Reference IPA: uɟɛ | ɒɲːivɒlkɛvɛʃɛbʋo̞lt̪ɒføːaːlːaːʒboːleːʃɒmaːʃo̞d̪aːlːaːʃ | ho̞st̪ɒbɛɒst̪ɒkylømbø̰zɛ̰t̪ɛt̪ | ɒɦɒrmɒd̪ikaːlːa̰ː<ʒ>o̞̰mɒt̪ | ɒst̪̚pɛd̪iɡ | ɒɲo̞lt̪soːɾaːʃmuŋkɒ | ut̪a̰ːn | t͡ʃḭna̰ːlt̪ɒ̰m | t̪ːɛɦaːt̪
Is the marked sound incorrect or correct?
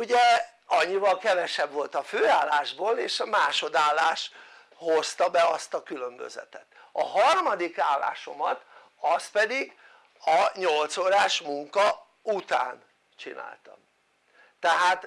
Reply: incorrect